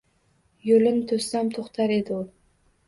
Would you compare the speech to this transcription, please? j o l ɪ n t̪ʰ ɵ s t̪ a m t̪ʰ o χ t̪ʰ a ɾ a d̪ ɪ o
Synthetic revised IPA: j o l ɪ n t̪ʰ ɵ s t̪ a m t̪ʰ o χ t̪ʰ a ɾ e d̪ ɪ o